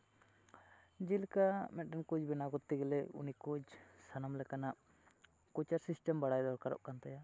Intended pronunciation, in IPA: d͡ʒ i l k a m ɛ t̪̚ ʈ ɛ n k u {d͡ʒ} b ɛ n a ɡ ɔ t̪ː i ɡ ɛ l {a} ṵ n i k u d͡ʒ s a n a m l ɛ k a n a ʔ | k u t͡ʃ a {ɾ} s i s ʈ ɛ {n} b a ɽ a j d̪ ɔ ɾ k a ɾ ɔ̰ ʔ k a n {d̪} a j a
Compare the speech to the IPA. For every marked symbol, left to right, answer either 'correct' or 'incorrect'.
correct, incorrect, correct, incorrect, incorrect

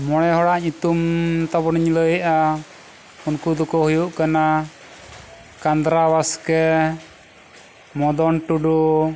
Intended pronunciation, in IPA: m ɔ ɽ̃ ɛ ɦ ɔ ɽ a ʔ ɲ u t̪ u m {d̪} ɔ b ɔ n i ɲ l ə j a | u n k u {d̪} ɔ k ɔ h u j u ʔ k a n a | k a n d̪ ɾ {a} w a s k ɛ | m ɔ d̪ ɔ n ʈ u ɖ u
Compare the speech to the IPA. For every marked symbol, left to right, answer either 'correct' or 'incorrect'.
incorrect, correct, correct

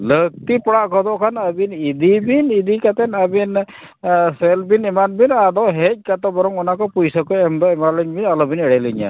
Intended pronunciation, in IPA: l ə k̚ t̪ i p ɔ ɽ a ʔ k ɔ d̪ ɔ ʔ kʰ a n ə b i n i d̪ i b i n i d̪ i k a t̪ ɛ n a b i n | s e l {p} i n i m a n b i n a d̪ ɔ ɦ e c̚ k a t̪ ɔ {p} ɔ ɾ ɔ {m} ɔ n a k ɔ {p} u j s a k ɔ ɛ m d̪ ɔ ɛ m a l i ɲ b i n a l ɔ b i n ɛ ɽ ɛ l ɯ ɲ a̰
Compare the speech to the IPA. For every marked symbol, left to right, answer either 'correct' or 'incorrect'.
incorrect, incorrect, incorrect, correct

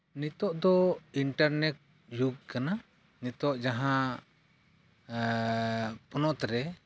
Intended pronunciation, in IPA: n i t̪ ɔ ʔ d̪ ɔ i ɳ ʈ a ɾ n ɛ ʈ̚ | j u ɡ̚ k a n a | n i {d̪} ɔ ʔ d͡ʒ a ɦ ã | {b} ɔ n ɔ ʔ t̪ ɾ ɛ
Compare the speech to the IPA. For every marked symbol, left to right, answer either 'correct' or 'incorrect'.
incorrect, incorrect

